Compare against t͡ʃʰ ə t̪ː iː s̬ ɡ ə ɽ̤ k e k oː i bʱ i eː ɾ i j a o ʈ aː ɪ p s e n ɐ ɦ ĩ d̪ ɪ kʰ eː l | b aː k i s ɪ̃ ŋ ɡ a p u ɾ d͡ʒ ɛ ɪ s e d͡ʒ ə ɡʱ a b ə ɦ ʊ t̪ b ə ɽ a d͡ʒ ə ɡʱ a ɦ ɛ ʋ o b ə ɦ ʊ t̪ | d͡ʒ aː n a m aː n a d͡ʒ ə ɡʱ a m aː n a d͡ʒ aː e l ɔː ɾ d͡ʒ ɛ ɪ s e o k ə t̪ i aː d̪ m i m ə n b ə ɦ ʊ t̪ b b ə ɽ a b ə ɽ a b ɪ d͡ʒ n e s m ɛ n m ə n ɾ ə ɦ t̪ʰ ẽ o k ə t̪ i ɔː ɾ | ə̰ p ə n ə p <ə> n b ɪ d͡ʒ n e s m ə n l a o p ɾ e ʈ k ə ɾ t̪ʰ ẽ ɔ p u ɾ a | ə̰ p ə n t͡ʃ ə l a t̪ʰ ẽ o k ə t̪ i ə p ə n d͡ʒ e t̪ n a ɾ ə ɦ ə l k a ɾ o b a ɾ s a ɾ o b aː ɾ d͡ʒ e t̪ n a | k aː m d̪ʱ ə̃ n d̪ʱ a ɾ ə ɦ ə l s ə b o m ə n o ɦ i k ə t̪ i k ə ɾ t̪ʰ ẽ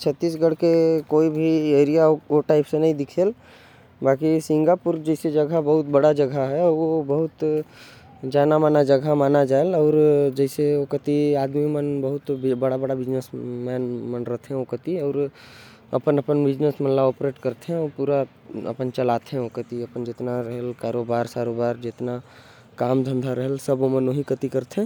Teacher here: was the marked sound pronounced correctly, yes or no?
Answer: yes